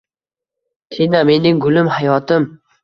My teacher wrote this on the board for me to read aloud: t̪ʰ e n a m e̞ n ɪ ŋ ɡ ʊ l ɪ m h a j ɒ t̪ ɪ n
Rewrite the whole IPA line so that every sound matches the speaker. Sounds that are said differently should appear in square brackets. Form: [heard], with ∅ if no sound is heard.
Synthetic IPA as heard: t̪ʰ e n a m e̞ n ɪ ŋ ɡ ʊ l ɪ m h a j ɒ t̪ ɪ [m]

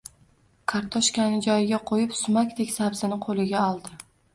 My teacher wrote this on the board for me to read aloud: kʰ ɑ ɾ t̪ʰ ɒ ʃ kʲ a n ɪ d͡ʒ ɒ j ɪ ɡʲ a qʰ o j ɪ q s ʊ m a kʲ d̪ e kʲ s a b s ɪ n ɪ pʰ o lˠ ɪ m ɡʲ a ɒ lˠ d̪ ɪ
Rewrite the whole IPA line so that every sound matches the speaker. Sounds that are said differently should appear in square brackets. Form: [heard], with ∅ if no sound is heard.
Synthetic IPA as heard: kʰ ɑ ɾ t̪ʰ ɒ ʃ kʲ a n ɪ d͡ʒ ɒ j ɪ ɡʲ a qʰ o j ɪ [p] s ʊ m a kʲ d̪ e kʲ s a b [z] ɪ n ɪ [qʰ] o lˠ ɪ [∅] ɡʲ a ɒ lˠ d̪ ɪ

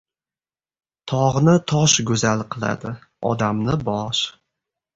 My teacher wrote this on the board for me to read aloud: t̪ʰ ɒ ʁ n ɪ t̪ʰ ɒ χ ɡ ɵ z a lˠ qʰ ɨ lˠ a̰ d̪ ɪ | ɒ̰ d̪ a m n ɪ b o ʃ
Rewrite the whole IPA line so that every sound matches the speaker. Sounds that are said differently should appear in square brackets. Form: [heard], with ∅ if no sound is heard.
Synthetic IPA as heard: t̪ʰ ɒ ʁ n ɪ t̪ʰ ɒ [ʃ] ɡ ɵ z a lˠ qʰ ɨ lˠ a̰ d̪ ɪ | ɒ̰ d̪ a m n ɪ b [ɒ] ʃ

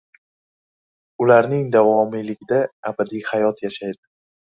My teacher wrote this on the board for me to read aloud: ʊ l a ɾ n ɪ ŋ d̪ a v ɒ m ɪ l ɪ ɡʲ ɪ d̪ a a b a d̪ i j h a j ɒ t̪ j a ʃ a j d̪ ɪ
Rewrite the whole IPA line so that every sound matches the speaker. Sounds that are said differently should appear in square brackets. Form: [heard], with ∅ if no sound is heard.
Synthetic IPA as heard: ʊ l a ɾ n ɪ ŋ d̪ a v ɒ m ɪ l ɪ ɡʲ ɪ d̪ a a b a d̪ i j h a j ɒ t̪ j a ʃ a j d̪ ɪ

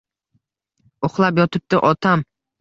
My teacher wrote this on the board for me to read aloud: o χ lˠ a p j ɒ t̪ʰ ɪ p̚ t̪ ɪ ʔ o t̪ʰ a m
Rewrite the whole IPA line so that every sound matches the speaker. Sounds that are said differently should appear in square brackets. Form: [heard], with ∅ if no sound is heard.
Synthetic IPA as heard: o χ lˠ a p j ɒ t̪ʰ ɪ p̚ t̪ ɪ ʔ [ɒ] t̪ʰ a m

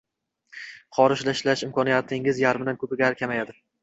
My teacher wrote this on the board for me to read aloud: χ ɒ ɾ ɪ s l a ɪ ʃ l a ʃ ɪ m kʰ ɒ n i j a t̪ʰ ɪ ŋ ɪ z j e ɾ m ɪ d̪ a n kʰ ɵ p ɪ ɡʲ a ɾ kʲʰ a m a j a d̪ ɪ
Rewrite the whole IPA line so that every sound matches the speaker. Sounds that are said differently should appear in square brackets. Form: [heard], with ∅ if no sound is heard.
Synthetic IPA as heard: χ ɒ ɾ ɪ [ʃ] l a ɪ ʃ l a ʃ ɪ m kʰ ɒ n i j a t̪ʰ ɪ ŋ ɪ z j [a] ɾ m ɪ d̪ a n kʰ ɵ p ɪ ɡʲ a ɾ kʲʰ a m a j a d̪ ɪ

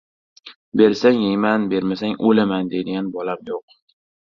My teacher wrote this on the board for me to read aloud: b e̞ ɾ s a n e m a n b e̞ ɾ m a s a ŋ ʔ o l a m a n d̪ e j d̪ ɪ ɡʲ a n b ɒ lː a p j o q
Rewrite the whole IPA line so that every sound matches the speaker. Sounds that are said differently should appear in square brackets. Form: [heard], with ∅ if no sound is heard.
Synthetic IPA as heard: b e̞ ɾ s a [ŋ] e m a n b e̞ ɾ m a s a ŋ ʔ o l a m a n d̪ e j d̪ ɪ ɡʲ a n b ɒ [l] a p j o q

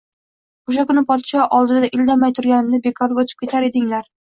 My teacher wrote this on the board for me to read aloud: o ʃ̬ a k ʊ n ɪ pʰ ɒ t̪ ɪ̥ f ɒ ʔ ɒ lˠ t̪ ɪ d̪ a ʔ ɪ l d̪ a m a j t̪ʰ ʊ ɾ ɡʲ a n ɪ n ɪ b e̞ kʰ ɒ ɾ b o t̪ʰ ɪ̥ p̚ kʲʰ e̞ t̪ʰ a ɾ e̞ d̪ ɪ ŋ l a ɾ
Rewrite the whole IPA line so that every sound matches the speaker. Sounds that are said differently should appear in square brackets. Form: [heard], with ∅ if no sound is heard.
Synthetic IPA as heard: o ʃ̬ a k ʊ n ɪ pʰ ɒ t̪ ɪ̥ [ʃ] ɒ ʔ ɒ lˠ [d̪] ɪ d̪ a ʔ ɪ l d̪ a m a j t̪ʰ ʊ ɾ ɡʲ a n ɪ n ɪ b e̞ kʰ ɒ ɾ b o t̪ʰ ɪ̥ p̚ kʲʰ e̞ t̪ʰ a ɾ e̞ d̪ ɪ ŋ l a ɾ

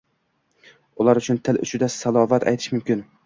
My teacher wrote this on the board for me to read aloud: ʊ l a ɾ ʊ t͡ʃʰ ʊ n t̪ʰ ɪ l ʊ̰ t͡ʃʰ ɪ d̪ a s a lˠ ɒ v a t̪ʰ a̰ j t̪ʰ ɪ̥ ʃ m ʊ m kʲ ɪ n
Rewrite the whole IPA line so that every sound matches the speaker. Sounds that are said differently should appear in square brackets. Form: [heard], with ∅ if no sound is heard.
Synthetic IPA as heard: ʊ l a ɾ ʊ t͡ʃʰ ʊ n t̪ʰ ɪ l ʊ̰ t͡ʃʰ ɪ d̪ a s a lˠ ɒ v a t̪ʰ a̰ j t̪ʰ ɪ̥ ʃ m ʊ m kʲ ɪ n

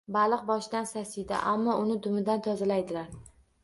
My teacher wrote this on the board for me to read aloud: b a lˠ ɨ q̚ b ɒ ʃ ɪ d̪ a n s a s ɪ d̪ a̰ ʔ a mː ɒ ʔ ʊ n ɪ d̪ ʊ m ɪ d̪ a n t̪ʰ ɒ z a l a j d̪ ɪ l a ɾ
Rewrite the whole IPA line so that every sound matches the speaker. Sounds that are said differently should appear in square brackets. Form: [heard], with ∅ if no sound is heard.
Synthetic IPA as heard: b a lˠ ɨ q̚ b ɒ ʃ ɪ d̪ a n s a s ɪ d̪ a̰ ʔ a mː ɒ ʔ ʊ n ɪ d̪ ʊ m ɪ d̪ a n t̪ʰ ɒ z a l a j d̪ ɪ l a ɾ

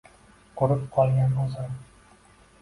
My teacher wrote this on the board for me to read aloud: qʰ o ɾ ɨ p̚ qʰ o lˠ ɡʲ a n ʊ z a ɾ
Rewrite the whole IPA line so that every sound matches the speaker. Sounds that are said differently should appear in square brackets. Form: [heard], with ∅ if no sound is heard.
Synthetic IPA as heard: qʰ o ɾ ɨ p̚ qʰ [ɒ] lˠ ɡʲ a n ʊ z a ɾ

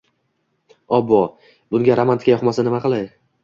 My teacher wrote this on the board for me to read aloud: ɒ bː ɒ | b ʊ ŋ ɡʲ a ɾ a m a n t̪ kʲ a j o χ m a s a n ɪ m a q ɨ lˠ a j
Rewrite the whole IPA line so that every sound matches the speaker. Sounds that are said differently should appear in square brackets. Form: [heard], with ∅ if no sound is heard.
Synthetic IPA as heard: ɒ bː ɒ | b ʊ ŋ ɡʲ a ɾ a m a n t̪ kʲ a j [ɒ] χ m a s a n ɪ m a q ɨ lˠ a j

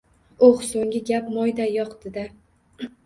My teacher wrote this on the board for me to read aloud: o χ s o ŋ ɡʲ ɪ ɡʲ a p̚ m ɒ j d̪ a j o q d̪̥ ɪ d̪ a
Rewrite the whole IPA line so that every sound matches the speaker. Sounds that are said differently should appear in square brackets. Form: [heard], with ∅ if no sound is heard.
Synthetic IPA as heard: o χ s o ŋ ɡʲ ɪ ɡʲ a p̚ m ɒ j d̪ a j [ɒ] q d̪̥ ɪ d̪ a

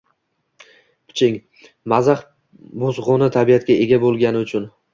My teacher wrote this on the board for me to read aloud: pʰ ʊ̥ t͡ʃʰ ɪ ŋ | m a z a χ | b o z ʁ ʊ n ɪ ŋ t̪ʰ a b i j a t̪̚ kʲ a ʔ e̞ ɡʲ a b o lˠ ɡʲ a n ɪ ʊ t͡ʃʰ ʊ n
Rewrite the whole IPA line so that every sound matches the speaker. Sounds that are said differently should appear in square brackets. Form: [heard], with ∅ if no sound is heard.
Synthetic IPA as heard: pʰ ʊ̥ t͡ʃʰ ɪ ŋ | m a z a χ | b o z ʁ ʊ n ɪ [∅] t̪ʰ a b i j a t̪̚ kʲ a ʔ e̞ ɡʲ a b o lˠ ɡʲ a n ɪ ʊ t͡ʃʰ ʊ n

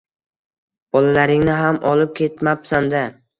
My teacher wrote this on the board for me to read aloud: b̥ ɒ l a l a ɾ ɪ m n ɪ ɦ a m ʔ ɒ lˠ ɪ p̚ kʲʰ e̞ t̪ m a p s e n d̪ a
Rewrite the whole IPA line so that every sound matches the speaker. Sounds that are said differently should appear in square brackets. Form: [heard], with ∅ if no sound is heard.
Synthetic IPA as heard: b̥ ɒ l a l a ɾ ɪ [ŋ] n ɪ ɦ a m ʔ ɒ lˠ ɪ p̚ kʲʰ e̞ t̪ m a p s [a] n d̪ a

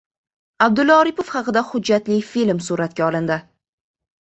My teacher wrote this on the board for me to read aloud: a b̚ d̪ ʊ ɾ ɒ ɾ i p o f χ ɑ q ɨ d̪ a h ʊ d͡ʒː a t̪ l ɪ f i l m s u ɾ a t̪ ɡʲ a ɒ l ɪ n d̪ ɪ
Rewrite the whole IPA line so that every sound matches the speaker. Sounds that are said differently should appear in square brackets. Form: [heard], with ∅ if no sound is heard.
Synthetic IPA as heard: a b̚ d̪ ʊ [l] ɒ ɾ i p o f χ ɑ q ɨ d̪ a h ʊ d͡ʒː a t̪ l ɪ f i l m s u ɾ a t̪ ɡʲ a ɒ l ɪ n d̪ ɪ

